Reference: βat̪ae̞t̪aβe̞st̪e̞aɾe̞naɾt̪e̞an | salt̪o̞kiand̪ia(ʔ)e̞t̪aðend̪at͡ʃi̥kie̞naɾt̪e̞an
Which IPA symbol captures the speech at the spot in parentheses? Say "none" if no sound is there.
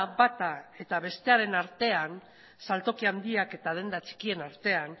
k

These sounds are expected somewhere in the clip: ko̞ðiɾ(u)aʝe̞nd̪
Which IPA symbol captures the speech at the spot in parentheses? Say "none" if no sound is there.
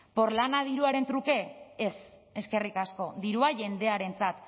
u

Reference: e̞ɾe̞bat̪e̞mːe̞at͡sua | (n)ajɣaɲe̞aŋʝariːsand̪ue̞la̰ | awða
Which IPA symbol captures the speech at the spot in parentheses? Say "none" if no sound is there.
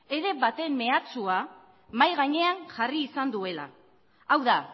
m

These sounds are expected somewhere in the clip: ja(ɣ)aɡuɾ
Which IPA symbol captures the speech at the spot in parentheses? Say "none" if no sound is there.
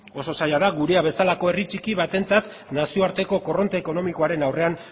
ð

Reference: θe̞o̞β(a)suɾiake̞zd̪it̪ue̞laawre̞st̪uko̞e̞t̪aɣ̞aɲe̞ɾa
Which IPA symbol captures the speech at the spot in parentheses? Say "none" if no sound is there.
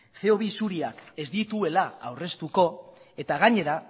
i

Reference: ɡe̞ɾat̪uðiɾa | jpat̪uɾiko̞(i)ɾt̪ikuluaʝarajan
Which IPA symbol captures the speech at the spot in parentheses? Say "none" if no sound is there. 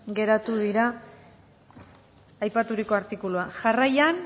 a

